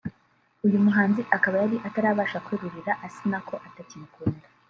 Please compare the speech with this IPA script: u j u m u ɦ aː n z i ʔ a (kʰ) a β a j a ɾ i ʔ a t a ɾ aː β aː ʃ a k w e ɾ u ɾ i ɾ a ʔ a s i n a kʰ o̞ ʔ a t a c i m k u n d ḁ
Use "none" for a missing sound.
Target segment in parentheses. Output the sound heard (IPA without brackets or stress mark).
k